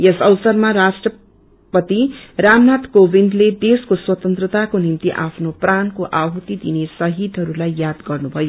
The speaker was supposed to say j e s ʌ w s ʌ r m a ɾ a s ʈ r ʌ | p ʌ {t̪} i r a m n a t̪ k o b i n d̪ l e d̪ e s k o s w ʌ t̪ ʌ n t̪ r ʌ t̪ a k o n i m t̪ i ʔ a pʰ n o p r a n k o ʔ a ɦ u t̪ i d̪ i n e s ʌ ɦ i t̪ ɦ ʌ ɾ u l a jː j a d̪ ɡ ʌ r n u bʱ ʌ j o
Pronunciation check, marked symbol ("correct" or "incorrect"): correct